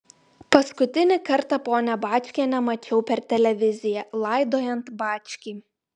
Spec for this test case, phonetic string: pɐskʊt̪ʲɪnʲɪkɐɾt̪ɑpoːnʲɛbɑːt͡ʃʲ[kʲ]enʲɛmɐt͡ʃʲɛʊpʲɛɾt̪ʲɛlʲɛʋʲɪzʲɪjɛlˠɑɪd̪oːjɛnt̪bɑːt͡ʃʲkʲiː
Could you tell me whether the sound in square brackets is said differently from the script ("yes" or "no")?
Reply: no